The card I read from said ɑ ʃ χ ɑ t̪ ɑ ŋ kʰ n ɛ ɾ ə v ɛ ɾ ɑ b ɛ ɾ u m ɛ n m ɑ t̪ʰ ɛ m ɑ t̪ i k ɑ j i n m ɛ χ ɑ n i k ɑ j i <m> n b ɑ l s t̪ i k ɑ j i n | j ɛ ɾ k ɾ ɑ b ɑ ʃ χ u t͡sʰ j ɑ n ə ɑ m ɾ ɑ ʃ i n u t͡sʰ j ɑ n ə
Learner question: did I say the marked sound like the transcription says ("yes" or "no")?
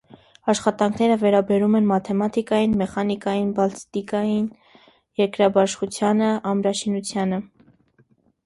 no